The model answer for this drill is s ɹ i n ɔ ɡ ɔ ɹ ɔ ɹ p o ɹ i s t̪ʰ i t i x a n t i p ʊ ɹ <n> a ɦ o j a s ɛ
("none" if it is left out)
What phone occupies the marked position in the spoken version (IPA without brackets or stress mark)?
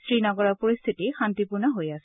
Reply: n